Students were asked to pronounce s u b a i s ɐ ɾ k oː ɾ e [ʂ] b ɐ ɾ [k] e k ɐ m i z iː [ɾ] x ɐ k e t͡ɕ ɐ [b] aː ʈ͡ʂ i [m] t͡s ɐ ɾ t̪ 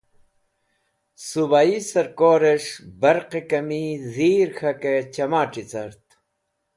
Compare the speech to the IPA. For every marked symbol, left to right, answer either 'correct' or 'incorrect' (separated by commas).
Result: correct, incorrect, correct, incorrect, incorrect